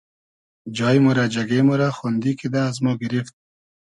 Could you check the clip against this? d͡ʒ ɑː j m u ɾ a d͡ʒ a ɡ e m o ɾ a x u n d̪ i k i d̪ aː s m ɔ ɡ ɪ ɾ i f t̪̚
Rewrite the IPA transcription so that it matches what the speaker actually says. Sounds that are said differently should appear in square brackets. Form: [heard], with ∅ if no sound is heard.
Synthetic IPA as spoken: d͡ʒ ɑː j m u ɾ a d͡ʒ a ɡ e m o ɾ a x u n d̪ i k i d̪ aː [z] m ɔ ɡ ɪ ɾ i f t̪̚